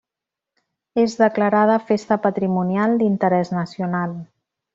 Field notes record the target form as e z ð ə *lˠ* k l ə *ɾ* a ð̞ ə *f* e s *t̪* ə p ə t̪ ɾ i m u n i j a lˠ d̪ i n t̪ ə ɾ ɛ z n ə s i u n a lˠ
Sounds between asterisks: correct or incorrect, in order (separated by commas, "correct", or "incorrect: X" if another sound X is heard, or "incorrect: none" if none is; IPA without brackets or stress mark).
incorrect: none, correct, correct, correct